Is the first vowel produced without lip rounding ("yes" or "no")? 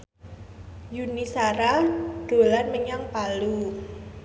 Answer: no